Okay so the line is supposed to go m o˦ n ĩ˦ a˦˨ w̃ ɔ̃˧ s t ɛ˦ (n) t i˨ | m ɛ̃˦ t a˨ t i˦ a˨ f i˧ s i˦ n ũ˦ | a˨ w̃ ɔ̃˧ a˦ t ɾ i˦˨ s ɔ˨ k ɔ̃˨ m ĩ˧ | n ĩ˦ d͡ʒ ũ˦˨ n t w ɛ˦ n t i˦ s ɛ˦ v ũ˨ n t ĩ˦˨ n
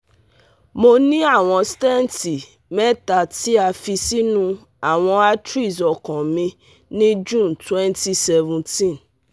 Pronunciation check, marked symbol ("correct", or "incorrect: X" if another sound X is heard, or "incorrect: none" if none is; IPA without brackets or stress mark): correct